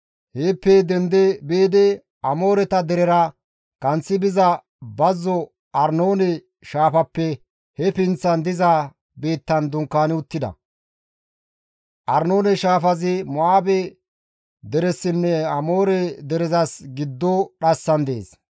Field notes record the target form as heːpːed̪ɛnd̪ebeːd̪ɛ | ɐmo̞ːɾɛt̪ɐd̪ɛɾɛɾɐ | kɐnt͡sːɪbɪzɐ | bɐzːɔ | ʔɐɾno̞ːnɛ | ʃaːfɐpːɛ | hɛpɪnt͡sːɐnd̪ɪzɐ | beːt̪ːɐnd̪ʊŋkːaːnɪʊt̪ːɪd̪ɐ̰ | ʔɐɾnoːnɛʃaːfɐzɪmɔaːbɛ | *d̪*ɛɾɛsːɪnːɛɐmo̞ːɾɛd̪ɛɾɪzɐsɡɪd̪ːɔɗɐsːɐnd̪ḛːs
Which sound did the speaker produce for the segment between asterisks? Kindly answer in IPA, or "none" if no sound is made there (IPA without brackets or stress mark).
d̪